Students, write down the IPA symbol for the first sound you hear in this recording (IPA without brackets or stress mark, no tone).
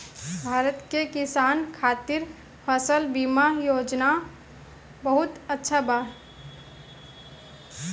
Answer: bʱ